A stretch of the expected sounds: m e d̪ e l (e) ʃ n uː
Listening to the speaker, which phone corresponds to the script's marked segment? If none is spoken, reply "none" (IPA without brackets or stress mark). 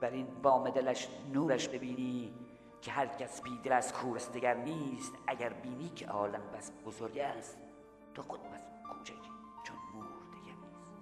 æ